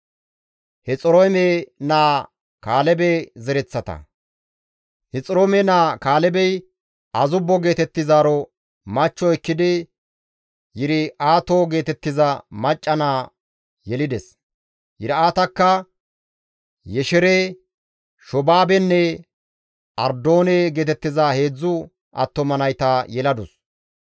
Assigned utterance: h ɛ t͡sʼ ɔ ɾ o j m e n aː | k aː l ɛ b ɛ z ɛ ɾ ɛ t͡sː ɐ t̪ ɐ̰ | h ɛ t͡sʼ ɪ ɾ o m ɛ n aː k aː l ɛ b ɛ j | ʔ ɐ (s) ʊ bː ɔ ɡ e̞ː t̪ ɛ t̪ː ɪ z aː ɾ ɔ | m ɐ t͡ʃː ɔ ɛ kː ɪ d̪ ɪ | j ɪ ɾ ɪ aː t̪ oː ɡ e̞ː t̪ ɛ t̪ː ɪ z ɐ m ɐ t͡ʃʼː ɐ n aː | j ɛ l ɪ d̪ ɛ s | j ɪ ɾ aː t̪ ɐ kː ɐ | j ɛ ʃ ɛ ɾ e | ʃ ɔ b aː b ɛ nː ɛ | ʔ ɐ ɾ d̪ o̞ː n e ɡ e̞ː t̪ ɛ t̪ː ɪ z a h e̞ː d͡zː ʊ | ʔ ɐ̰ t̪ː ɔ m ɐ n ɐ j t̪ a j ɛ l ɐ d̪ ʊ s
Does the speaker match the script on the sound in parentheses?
no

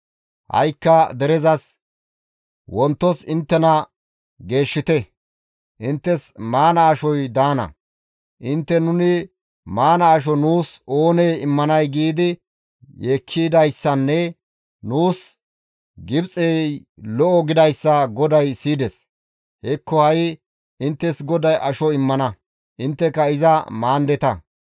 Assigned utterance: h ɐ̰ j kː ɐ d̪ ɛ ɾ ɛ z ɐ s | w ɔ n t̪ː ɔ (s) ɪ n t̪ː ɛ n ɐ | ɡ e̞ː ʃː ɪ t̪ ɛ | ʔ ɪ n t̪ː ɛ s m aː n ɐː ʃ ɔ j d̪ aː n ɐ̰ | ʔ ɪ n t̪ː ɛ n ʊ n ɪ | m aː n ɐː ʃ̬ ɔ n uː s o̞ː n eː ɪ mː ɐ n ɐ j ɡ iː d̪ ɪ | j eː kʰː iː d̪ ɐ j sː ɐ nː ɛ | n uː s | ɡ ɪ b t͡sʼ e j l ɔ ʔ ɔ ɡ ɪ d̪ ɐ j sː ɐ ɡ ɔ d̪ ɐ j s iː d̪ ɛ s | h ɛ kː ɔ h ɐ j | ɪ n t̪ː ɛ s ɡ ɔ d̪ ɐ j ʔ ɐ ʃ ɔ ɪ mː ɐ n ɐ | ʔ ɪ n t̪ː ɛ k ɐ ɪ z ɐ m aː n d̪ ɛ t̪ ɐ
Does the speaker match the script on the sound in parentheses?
yes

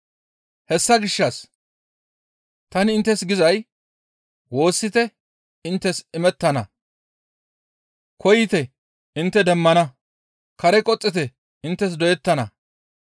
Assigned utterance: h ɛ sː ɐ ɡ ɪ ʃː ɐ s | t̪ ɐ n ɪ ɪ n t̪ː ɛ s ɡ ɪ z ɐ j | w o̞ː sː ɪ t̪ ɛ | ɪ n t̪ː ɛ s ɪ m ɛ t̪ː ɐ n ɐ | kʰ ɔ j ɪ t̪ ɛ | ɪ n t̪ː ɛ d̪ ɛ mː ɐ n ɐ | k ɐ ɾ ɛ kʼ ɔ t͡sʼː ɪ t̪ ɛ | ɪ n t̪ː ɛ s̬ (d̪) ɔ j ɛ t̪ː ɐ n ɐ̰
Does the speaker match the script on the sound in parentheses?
yes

